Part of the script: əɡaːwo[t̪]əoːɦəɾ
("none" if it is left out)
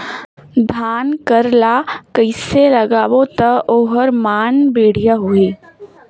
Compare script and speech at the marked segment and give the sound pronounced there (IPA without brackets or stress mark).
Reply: t̪